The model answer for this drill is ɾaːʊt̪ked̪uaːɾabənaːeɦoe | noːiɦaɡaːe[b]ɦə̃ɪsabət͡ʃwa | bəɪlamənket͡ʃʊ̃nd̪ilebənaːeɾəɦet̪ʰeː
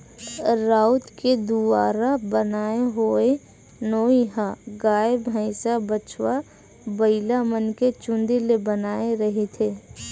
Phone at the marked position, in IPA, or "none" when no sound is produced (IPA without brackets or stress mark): b